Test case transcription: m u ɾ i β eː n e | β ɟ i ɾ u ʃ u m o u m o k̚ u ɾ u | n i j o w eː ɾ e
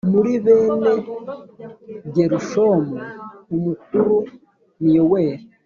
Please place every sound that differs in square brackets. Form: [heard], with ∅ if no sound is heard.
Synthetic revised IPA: m u ɾ i β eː n e | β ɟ [e] ɾ u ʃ [o] m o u m [u] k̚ u ɾ u | n i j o w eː ɾ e